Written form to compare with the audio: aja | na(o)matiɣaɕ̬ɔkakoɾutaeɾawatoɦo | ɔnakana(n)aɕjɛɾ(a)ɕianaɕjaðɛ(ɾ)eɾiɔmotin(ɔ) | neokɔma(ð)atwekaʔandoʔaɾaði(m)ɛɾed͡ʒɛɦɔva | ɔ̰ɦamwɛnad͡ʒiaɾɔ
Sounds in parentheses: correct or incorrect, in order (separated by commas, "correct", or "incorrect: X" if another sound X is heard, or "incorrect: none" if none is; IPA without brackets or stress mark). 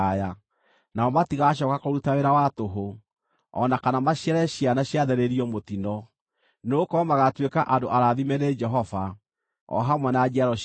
incorrect: ɔ, incorrect: m, incorrect: ɛ, correct, correct, incorrect: ɣ, correct